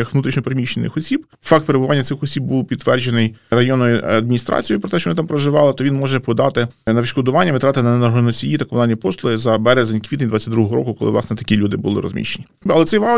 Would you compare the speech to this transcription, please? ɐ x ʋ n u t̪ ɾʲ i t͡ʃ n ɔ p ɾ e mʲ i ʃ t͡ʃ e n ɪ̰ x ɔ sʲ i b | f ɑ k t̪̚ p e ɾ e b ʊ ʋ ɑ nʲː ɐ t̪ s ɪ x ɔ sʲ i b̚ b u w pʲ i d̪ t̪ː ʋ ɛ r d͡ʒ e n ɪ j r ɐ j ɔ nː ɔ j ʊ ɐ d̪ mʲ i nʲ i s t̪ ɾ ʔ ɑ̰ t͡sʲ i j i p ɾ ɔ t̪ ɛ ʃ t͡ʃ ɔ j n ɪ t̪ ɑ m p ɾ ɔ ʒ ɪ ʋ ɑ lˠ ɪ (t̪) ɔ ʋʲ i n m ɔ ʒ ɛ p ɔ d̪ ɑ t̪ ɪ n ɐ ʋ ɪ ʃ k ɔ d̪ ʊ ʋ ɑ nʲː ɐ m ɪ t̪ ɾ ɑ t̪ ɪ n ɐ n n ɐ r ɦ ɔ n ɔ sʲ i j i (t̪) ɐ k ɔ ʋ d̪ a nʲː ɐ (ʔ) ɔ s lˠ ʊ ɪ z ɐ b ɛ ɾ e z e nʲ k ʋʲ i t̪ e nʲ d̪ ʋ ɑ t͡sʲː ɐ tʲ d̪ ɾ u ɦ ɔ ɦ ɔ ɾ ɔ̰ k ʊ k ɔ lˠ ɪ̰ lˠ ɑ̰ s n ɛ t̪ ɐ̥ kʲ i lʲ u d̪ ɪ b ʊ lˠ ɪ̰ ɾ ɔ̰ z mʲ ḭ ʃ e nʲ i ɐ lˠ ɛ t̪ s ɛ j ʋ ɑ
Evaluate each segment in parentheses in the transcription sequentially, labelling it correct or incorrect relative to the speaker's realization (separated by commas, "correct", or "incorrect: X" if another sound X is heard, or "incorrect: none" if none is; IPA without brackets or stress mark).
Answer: correct, correct, incorrect: p